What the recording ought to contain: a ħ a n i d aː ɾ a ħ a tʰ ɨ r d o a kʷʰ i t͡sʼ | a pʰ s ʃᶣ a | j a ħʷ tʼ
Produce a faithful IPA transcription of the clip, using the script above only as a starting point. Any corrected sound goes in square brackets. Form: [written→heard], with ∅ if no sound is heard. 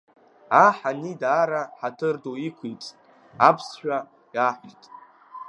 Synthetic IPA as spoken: a ħ a n i d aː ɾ a ħ a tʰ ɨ r d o [a→i] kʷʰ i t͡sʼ | a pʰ s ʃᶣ a | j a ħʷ tʼ